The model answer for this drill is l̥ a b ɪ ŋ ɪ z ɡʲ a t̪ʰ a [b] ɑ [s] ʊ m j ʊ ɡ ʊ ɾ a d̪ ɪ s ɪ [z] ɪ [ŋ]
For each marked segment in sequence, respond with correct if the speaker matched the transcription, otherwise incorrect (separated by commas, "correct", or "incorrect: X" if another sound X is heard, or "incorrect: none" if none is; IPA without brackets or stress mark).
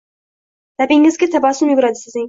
correct, correct, correct, correct